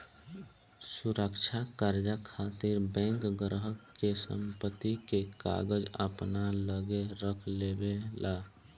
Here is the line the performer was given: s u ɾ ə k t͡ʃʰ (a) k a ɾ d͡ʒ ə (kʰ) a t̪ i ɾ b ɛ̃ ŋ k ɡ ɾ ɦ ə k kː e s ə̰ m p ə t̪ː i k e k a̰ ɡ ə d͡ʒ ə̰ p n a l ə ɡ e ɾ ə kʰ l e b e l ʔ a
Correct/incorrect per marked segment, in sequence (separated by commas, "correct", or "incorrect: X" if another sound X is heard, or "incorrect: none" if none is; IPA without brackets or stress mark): correct, correct